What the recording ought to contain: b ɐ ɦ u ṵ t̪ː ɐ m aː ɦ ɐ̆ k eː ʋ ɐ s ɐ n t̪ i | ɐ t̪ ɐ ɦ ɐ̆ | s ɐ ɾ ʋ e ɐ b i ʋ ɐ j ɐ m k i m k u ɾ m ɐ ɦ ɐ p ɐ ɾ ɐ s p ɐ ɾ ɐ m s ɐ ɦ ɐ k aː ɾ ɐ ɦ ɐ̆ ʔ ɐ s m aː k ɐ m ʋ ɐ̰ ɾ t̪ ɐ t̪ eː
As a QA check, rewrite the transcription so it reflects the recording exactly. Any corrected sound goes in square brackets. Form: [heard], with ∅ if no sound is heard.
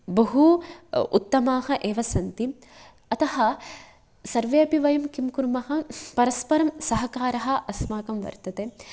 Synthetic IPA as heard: b ɐ ɦ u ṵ t̪ː ɐ m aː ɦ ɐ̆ [ʔ] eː ʋ ɐ s ɐ n t̪ i | ɐ t̪ ɐ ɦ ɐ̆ | s ɐ ɾ ʋ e ɐ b i ʋ ɐ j ɐ m k i m k u ɾ m ɐ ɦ ɐ p ɐ ɾ ɐ s p ɐ ɾ ɐ m s ɐ ɦ ɐ k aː ɾ ɐ ɦ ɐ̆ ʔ ɐ s m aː k ɐ m ʋ ɐ̰ ɾ t̪ ɐ t̪ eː